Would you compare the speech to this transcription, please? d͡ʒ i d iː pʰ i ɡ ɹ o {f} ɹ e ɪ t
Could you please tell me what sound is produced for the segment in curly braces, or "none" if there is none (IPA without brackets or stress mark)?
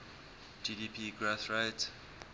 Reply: θ